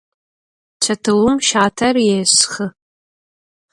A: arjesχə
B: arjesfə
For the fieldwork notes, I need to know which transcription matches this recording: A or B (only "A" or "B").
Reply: A